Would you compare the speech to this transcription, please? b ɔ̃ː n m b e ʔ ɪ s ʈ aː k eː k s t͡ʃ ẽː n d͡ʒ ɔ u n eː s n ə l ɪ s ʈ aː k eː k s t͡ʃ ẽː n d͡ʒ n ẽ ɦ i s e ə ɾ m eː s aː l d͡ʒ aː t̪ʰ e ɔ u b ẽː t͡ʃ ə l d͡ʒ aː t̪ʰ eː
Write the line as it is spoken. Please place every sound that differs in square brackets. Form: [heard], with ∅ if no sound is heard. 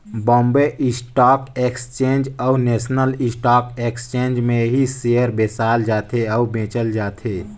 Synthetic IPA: b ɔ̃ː [∅] m b e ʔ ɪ s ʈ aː k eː k s t͡ʃ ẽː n d͡ʒ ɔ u n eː s n ə l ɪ s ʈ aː k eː k s t͡ʃ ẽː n d͡ʒ [m] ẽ ɦ i s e ə ɾ [b] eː s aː l d͡ʒ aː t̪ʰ e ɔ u b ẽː t͡ʃ ə l d͡ʒ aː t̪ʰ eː